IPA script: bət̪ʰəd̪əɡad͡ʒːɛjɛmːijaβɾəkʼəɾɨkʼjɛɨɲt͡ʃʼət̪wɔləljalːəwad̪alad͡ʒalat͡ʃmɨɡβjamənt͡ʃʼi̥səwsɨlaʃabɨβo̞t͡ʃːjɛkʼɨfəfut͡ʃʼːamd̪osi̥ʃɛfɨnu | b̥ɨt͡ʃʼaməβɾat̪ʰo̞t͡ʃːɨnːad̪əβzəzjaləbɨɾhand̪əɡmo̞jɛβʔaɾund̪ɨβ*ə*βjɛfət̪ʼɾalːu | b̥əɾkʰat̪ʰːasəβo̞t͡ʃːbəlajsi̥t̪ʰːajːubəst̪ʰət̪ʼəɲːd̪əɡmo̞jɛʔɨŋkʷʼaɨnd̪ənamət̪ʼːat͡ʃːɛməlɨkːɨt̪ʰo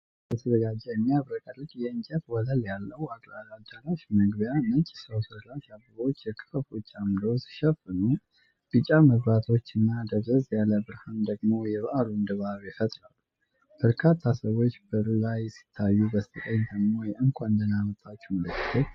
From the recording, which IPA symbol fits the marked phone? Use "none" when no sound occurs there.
a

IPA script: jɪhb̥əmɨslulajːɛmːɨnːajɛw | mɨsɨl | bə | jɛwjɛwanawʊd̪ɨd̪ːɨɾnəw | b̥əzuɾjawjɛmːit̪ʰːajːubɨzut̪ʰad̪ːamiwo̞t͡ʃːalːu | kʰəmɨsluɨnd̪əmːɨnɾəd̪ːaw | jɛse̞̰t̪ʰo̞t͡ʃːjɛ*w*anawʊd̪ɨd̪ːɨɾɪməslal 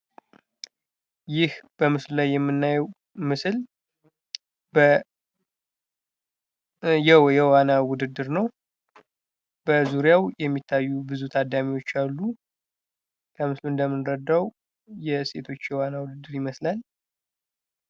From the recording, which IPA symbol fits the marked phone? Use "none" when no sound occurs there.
w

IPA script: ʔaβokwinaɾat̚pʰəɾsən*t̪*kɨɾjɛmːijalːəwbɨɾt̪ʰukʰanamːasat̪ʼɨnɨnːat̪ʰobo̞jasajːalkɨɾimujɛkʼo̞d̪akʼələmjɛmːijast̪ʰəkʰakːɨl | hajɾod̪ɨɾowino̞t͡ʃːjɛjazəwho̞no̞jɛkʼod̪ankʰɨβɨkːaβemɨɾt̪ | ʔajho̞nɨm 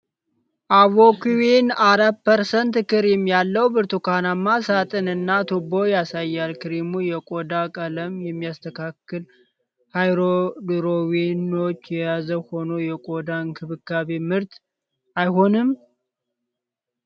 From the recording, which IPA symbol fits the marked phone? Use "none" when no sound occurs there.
t̪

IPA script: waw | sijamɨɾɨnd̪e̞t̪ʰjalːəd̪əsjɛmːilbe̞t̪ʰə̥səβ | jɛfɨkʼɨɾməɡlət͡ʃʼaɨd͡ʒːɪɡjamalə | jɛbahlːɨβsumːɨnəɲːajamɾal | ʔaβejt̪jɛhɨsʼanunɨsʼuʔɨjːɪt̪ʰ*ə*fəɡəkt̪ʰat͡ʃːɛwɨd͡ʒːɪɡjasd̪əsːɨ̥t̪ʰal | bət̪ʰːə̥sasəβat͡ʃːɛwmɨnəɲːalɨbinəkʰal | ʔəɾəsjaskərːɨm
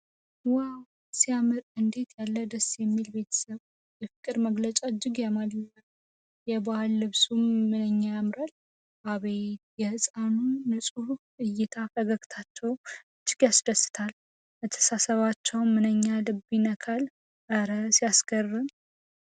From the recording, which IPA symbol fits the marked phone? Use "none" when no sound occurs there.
a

